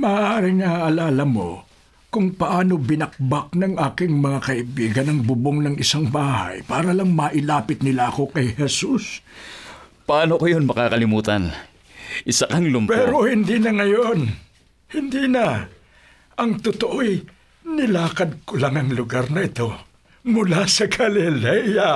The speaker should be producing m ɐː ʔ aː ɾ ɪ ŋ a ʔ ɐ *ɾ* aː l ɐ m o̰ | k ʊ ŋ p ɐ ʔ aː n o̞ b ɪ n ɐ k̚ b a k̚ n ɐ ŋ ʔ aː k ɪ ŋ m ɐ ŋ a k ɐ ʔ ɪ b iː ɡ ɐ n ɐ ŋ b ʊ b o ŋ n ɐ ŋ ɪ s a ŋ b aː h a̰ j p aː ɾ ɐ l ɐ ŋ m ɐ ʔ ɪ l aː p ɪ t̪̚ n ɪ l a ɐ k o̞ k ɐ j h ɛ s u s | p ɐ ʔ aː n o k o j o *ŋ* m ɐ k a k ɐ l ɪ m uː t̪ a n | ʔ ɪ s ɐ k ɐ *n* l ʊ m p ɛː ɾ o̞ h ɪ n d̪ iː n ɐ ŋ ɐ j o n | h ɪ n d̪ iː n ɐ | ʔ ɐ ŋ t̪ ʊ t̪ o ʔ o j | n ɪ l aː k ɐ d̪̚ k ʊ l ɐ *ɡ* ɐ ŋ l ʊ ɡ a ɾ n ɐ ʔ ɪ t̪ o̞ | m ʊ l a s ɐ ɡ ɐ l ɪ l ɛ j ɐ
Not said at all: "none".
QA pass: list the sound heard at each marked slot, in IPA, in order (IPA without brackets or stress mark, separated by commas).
l, n, ŋ, ŋ